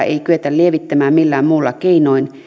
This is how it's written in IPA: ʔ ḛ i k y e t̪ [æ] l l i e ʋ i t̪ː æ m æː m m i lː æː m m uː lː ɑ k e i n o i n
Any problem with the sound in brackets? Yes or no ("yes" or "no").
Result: no